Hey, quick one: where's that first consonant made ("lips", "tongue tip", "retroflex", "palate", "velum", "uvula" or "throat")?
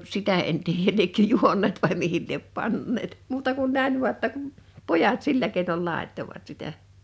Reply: tongue tip